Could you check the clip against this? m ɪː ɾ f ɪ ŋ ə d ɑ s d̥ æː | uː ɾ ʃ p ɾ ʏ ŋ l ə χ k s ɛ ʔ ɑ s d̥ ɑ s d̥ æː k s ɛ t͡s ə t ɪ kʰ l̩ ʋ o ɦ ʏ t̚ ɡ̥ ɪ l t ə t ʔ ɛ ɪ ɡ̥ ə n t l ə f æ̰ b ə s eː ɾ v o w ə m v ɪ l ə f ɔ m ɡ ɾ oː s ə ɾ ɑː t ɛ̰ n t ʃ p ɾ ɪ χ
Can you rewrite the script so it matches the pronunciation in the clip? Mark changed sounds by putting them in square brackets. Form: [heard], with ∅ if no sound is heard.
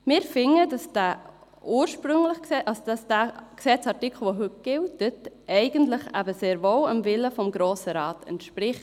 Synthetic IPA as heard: m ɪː ɾ f ɪ ŋ ə d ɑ s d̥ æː | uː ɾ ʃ p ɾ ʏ ŋ l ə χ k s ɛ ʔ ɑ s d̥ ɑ s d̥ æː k s ɛ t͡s [ɑ] t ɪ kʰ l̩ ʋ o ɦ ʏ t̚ ɡ̥ ɪ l t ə t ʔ ɛ ɪ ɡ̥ ə n t l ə [χ] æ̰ b ə s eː ɾ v o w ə m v ɪ l ə f ɔ m ɡ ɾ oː s ə ɾ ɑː t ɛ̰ n t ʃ p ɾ ɪ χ

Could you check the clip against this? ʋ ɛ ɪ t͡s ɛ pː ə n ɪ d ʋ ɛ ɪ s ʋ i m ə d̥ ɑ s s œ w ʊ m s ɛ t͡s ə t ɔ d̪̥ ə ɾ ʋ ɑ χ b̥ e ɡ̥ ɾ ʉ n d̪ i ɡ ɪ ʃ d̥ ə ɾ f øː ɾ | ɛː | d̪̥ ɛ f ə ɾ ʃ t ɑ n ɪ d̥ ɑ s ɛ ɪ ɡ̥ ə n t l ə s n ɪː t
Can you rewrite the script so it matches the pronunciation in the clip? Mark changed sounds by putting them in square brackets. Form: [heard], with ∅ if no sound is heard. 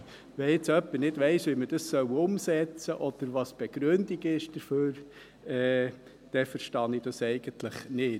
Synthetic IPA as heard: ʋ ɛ ɪ t͡s [œ] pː ə n ɪ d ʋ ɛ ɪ s ʋ i m ə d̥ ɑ s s œ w ʊ m s ɛ t͡s ə [ʔ] ɔ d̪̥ ə ɾ ʋ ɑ [s] b̥ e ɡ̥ ɾ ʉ n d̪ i ɡ ɪ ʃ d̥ ə ɾ f øː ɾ | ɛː | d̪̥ ɛ f ə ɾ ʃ t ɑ n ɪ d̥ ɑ s ɛ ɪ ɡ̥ ə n t l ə [χ] n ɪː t

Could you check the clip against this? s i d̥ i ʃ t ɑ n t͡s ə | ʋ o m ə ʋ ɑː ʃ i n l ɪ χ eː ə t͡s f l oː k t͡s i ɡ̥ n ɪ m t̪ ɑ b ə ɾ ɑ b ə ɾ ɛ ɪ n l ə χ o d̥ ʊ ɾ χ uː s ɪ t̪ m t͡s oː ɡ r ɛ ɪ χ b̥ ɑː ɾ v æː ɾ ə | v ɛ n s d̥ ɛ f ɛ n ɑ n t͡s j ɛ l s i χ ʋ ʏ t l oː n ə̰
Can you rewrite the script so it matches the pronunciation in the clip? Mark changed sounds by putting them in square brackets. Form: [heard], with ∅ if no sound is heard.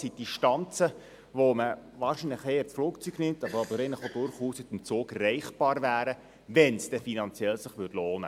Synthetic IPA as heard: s i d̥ i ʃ t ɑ n t͡s ə | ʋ o m ə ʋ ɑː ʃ i n l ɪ χ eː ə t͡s f l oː k t͡s [y] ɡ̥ n ɪ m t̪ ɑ b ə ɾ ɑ b ə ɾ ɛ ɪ n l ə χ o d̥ ʊ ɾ χ uː s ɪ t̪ m t͡s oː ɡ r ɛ ɪ χ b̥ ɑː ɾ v æː ɾ ə | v ɛ n s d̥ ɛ f [i] n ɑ n t͡s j ɛ l s [ɪ] χ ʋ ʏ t l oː n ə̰

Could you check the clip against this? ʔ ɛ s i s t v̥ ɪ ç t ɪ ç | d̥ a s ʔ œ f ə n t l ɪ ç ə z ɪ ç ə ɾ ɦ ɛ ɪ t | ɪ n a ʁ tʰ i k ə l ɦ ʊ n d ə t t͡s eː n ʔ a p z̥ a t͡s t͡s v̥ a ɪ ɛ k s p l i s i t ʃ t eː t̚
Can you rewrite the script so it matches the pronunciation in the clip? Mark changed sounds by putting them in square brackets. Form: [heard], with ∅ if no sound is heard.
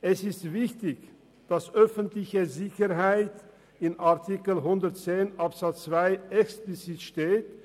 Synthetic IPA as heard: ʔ ɛ s [ɪ] s t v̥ ɪ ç t ɪ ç | d̥ a s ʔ œ f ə n t l ɪ ç ə z ɪ ç ə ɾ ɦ [a] ɪ t | ɪ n a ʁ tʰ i k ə l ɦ ʊ n d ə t t͡s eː n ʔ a p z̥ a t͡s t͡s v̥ a ɪ ɛ k s p l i [t͡s] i t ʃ t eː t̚

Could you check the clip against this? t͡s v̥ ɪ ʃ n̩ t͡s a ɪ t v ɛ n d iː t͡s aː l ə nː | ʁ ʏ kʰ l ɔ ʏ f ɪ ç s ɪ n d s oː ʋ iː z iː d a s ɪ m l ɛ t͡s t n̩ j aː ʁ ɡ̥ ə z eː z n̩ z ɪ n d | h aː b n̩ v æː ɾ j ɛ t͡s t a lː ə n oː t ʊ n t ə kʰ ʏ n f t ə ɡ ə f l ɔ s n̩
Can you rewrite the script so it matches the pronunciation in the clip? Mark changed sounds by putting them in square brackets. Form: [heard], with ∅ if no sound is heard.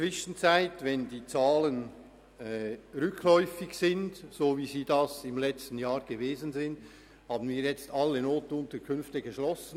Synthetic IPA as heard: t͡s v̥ ɪ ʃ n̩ t͡s a ɪ t v ɛ n d iː t͡s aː l ə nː | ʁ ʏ kʰ l ɔ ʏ f ɪ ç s ɪ n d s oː [v] iː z iː d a s ɪ m l ɛ t͡s t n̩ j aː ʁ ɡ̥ ə [v] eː z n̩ z ɪ n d | h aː b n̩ v [iː] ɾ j ɛ t͡s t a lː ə n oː t ʊ n t ə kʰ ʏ n f t ə ɡ ə [ʃ] l ɔ s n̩

